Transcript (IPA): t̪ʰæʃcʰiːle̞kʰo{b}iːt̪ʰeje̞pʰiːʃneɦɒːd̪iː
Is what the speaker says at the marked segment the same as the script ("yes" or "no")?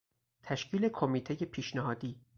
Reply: no